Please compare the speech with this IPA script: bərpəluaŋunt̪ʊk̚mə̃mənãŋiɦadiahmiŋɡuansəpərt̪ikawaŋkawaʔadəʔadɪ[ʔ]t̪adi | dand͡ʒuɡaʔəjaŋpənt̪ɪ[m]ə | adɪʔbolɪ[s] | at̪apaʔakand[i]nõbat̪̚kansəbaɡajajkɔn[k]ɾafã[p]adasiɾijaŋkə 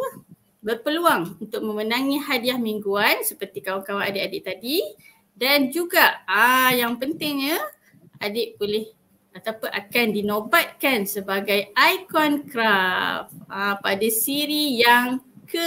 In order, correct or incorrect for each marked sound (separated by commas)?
correct, incorrect, incorrect, correct, correct, correct